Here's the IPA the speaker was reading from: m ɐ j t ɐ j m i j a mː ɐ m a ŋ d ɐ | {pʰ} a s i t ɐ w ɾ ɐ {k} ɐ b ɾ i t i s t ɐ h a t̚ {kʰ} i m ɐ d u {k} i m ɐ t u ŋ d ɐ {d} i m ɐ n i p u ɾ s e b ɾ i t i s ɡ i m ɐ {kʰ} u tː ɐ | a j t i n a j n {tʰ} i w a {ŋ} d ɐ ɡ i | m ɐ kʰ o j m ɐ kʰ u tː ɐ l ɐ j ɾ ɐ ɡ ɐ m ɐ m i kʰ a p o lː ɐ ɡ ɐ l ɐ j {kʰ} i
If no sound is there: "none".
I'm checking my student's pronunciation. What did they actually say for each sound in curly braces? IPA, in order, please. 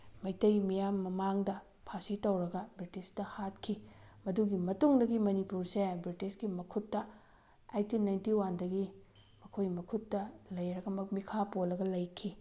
pʰ, ɡ, kʰ, ɡ, ɡ, kʰ, t, n, kʰ

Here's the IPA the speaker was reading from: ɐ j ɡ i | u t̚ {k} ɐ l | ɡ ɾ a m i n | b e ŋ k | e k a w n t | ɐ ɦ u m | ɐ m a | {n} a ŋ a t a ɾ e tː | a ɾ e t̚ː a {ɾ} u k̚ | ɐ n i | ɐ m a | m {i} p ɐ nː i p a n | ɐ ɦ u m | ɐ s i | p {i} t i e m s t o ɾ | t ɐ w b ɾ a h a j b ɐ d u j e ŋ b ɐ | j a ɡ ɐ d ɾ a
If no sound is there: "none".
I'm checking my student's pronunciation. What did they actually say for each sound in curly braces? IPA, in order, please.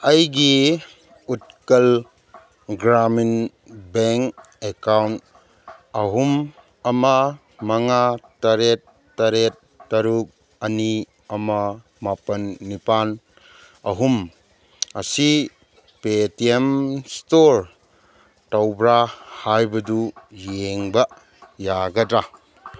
k, m, ɾ, a, e

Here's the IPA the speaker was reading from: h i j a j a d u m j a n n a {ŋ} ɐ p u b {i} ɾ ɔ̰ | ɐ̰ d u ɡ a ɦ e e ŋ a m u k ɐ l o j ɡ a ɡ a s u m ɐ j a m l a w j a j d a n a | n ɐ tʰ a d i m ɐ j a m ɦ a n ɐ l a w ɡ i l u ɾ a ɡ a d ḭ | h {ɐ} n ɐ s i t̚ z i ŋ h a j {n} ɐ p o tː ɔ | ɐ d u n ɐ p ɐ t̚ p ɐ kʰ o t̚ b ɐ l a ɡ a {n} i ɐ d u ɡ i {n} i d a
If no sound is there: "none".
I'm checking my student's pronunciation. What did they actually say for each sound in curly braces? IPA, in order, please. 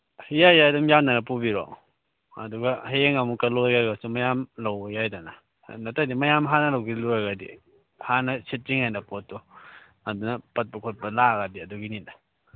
n, i, a, n, d, n

